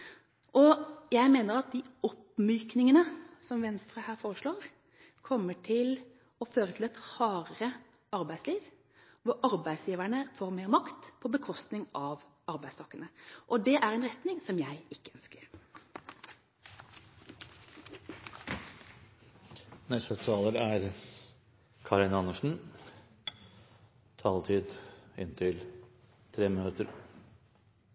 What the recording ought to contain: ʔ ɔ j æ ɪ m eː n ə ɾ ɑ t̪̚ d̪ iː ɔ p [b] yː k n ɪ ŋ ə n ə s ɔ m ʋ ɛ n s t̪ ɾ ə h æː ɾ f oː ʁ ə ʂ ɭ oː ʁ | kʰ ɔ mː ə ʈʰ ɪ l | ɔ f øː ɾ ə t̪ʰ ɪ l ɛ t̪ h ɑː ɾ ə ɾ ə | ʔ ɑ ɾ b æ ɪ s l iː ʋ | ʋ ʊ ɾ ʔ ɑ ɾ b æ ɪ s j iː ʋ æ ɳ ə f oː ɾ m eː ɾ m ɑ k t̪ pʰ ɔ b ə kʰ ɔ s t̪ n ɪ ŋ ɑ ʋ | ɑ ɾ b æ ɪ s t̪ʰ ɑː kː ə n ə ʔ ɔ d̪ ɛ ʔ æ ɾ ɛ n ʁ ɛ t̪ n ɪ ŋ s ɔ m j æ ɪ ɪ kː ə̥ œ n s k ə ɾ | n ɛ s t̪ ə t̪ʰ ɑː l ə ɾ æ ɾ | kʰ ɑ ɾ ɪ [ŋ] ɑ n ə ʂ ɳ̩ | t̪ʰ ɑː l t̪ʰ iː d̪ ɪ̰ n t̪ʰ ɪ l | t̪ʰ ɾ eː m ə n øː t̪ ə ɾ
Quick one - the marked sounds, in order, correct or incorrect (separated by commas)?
incorrect, incorrect